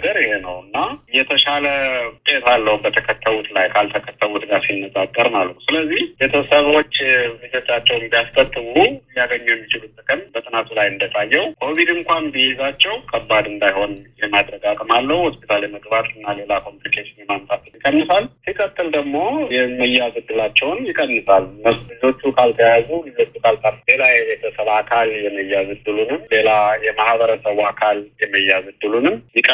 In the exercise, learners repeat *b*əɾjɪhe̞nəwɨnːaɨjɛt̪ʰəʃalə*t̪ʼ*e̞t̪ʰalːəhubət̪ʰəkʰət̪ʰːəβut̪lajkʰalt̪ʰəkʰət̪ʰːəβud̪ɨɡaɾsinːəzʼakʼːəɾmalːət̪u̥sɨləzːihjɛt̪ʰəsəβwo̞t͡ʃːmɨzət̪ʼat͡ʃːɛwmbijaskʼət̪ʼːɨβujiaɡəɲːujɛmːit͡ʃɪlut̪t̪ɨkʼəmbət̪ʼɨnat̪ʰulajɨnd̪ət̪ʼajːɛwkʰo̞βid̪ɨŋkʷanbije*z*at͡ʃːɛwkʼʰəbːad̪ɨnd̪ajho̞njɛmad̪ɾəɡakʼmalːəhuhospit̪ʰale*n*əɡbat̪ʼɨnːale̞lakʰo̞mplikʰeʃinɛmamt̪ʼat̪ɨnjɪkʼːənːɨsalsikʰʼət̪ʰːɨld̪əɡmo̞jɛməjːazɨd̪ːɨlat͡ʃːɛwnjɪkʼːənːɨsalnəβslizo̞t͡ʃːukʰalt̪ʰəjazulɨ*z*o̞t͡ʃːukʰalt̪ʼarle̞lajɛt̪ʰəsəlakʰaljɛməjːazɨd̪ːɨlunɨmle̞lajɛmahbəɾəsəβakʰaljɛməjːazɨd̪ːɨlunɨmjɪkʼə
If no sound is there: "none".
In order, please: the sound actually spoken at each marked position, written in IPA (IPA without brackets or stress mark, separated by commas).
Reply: ɡ, t̪ʼ, z, m, z